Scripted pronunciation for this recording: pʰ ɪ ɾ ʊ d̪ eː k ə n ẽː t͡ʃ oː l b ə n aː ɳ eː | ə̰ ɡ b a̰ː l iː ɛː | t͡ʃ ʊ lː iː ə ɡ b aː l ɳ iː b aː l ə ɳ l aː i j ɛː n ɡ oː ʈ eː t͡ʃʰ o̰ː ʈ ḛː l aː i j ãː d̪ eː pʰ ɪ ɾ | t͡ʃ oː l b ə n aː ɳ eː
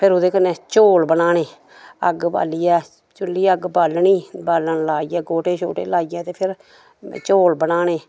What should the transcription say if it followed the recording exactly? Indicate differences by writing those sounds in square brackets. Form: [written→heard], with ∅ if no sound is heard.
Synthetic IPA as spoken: pʰ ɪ ɾ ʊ d̪ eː k ə n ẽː t͡ʃ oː l b ə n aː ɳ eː | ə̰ ɡ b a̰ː l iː ɛː | t͡ʃ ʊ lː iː ə ɡ b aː l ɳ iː b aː l ə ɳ l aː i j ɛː [n→∅] ɡ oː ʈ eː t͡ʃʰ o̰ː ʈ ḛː l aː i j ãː [d̪→t̪] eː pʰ ɪ ɾ | t͡ʃ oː l b ə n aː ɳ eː